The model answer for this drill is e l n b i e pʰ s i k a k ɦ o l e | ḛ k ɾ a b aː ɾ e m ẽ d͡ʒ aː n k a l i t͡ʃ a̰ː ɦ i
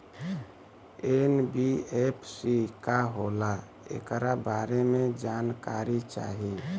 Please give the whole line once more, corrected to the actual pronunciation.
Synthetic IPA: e n b i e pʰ s i k a ɦ o l a | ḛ k ɾ a b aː ɾ e m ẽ d͡ʒ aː n k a ɾ i t͡ʃ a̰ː ɦ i